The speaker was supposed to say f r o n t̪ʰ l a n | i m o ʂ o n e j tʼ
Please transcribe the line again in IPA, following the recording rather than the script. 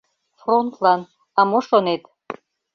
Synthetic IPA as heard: f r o n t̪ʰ l a n | a m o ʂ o n e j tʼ